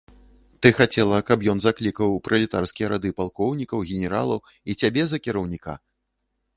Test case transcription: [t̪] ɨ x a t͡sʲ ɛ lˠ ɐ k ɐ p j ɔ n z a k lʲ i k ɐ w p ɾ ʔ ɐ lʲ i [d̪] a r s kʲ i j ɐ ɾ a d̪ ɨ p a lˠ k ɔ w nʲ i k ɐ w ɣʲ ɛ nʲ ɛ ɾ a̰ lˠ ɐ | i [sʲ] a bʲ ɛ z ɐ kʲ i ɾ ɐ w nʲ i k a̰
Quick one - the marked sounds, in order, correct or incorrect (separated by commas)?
correct, incorrect, incorrect